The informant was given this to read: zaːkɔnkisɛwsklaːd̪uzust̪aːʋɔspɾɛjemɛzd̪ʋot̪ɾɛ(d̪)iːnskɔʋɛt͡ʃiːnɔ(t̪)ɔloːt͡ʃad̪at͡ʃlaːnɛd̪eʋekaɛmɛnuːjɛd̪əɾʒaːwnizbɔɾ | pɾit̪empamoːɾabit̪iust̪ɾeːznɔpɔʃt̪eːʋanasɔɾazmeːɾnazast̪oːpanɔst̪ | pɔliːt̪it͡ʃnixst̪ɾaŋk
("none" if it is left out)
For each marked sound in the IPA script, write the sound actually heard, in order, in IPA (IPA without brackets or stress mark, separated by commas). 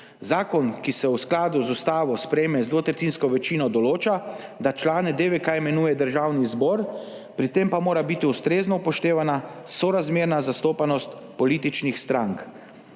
t̪, d̪